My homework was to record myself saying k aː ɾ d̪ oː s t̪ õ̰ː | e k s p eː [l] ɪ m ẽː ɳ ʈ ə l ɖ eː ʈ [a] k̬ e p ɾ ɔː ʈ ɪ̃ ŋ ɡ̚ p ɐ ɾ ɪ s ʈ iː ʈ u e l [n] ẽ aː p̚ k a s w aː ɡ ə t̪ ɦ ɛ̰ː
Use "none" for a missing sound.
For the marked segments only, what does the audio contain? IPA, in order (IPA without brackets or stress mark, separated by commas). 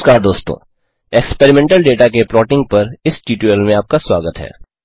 ɾ, a, m